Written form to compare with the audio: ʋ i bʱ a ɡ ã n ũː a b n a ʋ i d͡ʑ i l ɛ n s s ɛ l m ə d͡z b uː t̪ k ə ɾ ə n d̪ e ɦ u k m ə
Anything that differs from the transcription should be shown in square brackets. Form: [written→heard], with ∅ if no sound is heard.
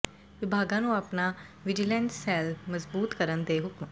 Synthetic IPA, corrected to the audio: ʋ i bʱ a ɡ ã n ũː a [b→p] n a ʋ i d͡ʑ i l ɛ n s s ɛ l m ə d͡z b uː t̪ k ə ɾ ə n d̪ e ɦ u k m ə